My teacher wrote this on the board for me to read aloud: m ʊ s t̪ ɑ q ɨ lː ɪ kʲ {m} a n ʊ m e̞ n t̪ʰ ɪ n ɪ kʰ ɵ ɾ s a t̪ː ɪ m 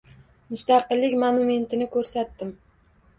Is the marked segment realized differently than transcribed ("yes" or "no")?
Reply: no